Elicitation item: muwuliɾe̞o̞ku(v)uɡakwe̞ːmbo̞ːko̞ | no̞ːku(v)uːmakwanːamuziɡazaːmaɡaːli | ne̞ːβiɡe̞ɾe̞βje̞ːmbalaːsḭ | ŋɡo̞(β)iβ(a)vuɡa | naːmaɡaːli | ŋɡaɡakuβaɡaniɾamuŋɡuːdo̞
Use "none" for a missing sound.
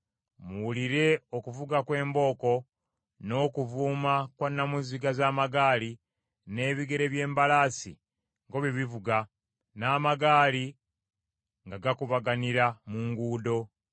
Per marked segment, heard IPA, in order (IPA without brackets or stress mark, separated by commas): v, v, β, i